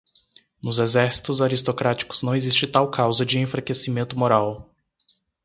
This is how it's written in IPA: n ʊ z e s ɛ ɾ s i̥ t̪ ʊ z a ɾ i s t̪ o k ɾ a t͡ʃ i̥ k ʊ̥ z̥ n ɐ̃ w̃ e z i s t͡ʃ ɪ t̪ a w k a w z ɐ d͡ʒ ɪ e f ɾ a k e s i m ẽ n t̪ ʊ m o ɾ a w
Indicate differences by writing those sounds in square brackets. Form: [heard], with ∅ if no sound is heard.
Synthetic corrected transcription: n ʊ z e [z] ɛ ɾ s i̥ t̪ ʊ z a ɾ i s t̪ o k ɾ a t͡ʃ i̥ k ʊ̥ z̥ n ɐ̃ w̃ e z i s t͡ʃ ɪ t̪ a w k a w z ɐ d͡ʒ ɪ [ẽ] f ɾ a k e s i m ẽ n t̪ ʊ m o ɾ a w